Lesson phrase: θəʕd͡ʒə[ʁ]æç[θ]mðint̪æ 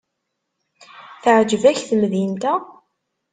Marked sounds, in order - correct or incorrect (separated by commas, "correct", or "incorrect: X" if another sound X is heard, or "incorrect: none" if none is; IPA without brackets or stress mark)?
incorrect: v, correct